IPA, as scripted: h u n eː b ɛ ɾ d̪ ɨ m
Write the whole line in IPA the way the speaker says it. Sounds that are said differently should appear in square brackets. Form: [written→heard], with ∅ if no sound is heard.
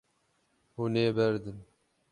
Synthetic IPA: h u n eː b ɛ ɾ d̪ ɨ [m→n]